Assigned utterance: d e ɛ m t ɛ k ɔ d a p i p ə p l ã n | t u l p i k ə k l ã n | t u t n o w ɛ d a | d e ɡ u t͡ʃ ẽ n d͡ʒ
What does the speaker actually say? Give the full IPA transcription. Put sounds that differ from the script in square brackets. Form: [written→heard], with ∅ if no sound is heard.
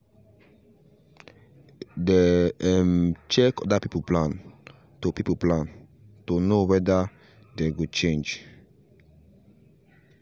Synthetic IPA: d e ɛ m [t→t͡ʃ] ɛ k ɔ d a p i p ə p l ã n | t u [l→∅] p i [k→p] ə [k→p] l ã n | t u [t→∅] n o w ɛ d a | d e ɡ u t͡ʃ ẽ n d͡ʒ

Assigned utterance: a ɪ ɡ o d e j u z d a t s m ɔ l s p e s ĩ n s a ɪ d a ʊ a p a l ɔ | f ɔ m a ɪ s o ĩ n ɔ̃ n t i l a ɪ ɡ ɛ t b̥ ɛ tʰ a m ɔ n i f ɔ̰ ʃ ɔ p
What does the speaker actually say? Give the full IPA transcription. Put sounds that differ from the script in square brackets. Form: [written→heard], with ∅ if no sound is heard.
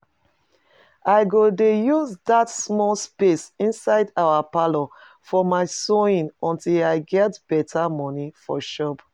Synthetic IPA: a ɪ ɡ o d e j u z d a t s m ɔ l s p e s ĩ n s a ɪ d a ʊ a p a l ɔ | f ɔ m a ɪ s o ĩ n ɔ̃ n t i l a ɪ ɡ ɛ t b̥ ɛ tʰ a m ɔ n i f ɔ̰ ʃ ɔ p

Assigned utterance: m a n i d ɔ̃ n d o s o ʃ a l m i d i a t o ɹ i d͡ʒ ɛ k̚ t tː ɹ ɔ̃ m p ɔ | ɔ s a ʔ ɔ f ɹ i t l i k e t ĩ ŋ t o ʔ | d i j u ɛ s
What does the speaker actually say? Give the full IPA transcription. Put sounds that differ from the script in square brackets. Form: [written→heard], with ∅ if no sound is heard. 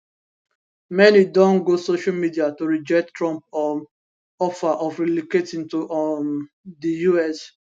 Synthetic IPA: m [a→ɛ] n i d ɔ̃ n [d→ɡ] o s o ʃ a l m i d i a t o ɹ i d͡ʒ ɛ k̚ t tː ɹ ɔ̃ m p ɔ | ɔ [s→f] a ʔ ɔ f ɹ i [t→∅] l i k e t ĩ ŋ t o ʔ | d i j u ɛ s

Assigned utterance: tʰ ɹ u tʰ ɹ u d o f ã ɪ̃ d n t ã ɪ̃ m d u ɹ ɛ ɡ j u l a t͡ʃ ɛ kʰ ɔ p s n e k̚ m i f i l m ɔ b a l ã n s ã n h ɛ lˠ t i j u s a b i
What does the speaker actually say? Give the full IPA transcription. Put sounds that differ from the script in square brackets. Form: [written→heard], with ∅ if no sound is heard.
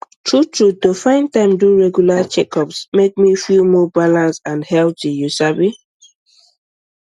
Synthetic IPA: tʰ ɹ u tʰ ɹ u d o f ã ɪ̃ [d→∅] n t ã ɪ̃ m d u ɹ ɛ ɡ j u l a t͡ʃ ɛ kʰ ɔ p s [n→m] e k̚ m i f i l m ɔ b a l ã n s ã n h ɛ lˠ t i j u s a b i

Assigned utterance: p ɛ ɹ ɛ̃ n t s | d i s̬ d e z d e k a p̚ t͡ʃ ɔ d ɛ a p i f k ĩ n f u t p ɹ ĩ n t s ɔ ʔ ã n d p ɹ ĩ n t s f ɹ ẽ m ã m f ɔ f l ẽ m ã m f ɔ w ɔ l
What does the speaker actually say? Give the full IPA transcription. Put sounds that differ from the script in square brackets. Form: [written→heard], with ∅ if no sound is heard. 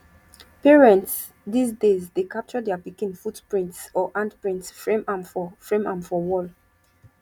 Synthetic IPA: p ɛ ɹ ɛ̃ n t s | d i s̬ d e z d e k a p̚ t͡ʃ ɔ d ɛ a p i [f→∅] k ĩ n f u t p ɹ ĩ n t s ɔ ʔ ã n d p ɹ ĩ n t s f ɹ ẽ m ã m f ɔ f [l→ɹ] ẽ m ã m f ɔ w ɔ l

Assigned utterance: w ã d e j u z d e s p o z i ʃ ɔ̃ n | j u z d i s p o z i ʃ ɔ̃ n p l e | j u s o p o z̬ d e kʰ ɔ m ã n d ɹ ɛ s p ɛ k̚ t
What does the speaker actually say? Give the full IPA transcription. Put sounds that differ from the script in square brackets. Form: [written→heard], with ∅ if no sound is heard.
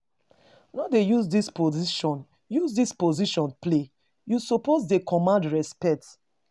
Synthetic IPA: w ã d e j u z d [e→i] s p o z i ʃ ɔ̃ n | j u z d i s p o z i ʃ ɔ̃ n p l e | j u s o p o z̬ d e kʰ ɔ m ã n d ɹ ɛ s p ɛ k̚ t

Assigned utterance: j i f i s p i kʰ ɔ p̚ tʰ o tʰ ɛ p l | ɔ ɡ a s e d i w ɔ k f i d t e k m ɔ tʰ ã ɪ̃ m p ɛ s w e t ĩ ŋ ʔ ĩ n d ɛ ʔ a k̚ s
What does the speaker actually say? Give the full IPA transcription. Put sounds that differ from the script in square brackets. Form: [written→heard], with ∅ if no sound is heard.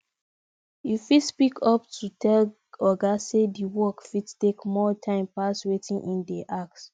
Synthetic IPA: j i f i s p i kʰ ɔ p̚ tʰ [o→u] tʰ ɛ [p→∅] l | ɔ ɡ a s e d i w ɔ k f i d t e k m ɔ tʰ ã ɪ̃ m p [ɛ→a] s w e t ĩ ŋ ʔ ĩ n d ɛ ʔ a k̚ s

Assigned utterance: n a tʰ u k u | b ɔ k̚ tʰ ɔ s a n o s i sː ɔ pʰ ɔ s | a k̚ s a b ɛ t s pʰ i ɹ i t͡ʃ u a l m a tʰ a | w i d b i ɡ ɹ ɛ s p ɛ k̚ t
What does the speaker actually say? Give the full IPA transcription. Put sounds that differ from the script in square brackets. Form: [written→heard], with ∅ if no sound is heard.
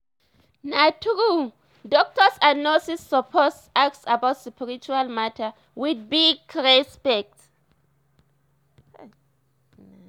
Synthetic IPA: n a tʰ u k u | [b→d] ɔ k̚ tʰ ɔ s a n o s i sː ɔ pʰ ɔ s | a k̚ s a b [ɛ→a] t s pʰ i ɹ i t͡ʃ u a l m a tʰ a | w i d b i ɡ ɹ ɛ s p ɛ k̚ t

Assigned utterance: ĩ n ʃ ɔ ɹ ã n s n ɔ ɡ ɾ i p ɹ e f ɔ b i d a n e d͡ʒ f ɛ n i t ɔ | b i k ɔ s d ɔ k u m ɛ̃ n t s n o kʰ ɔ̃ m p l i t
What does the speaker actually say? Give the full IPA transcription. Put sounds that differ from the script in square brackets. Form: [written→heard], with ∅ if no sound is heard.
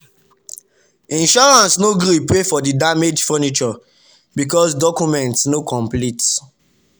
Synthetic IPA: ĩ n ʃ ɔ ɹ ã n s n [ɔ→o] ɡ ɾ i p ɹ e f ɔ [b→d] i d a [n→m] e d͡ʒ f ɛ n i [t→t͡ʃ] ɔ | b i k ɔ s d ɔ k u m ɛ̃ n t s n o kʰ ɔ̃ m p l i t

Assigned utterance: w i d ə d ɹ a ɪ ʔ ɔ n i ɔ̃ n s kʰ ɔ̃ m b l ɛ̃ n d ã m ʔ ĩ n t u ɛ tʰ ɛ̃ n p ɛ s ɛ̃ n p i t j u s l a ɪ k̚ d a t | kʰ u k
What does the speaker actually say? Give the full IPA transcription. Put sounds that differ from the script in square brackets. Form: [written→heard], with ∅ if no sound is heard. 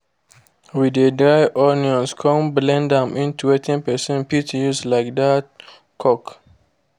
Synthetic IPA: w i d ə d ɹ a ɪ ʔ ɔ n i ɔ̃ n s kʰ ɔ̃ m b l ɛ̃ n d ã m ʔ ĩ n t u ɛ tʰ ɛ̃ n p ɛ s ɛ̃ n p i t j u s l a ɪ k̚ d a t | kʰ [u→ɔ] k

